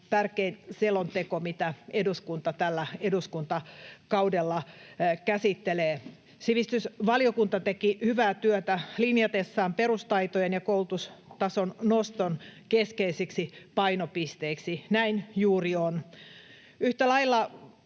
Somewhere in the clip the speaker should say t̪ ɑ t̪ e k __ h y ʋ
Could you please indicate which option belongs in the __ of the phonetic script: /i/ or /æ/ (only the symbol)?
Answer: i